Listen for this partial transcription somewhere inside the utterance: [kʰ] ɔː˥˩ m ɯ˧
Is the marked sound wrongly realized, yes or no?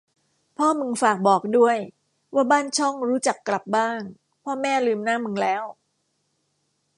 yes